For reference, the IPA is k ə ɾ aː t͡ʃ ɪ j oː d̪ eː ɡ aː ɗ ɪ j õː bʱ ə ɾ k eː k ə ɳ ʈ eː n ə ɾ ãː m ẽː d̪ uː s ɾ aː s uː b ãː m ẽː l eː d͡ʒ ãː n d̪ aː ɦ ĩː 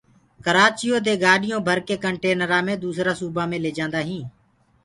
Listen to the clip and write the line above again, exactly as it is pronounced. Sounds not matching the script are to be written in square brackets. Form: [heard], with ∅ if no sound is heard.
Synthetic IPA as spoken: k ə ɾ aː t͡ʃ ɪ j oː d̪ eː ɡ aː ɗ ɪ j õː bʱ ə ɾ k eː k ə ɳ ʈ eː n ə ɾ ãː m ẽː d̪ uː s ɾ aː s uː b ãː m ẽː l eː d͡ʒ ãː n d̪ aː ɦ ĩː